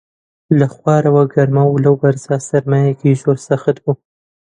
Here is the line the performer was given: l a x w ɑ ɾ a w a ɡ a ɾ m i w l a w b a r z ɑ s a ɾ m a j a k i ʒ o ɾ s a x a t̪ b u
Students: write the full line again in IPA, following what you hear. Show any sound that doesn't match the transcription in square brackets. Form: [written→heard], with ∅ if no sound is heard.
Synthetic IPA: l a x w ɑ ɾ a w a ɡ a ɾ m [i→a] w l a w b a [r→ɾ] z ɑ s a ɾ m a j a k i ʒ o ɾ s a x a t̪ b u